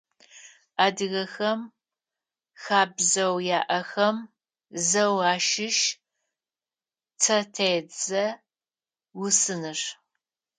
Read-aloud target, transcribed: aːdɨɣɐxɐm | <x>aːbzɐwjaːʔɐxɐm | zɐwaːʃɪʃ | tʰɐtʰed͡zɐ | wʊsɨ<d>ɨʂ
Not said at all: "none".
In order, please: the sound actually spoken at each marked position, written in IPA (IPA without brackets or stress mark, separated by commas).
x, n